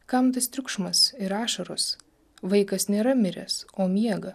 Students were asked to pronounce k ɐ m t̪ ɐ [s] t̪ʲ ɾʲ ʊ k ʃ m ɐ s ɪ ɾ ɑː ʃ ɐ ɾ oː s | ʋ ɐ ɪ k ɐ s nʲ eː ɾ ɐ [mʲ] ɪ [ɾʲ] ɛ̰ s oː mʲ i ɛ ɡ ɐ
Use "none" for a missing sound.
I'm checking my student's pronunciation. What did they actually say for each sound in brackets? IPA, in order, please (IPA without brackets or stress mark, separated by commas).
s, mʲ, ɾʲ